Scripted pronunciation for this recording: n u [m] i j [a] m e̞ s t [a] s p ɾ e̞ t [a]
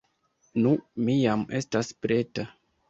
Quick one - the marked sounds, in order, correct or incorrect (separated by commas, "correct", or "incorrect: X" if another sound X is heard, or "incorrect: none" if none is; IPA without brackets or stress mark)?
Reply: correct, correct, correct, correct